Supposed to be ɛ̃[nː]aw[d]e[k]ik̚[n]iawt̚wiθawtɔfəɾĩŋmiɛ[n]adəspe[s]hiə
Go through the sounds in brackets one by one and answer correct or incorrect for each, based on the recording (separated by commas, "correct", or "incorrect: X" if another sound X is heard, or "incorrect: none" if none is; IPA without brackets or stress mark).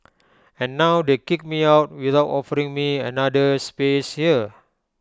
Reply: correct, correct, correct, incorrect: m, correct, correct